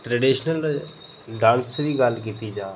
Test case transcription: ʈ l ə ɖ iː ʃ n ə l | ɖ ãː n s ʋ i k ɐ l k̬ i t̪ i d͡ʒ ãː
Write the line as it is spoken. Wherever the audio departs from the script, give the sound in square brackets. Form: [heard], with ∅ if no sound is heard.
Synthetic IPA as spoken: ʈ [ɾ] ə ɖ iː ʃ n ə l | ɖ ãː n s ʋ i [ɡ] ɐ l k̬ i t̪ i d͡ʒ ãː